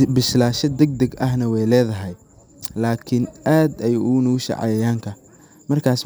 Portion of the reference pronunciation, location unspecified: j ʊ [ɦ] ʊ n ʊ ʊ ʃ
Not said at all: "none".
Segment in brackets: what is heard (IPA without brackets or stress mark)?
none